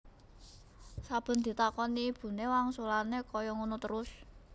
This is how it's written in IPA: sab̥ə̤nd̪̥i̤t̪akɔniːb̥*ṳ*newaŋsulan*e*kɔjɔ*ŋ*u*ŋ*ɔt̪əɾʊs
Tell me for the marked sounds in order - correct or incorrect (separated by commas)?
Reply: correct, correct, correct, incorrect